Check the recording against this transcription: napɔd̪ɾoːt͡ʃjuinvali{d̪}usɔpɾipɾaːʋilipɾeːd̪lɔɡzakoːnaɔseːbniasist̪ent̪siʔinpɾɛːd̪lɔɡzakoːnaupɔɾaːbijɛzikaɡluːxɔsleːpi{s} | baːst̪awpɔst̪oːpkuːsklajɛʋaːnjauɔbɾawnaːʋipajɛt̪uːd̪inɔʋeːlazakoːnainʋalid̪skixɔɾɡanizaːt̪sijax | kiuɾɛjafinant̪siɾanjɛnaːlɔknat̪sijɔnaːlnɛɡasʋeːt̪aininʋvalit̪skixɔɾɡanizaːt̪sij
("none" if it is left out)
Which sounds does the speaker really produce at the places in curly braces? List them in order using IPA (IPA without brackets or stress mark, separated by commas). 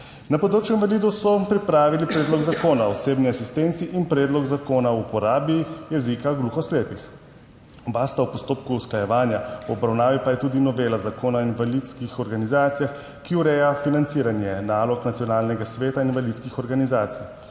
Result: d̪, x